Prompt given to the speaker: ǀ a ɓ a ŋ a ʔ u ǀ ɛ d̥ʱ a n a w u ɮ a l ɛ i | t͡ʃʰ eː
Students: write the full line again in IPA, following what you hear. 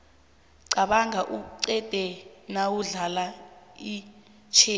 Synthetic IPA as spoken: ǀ a ɓ a ŋ a ʔ u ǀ ɛ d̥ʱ ɛ n a w u ɮ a l a i | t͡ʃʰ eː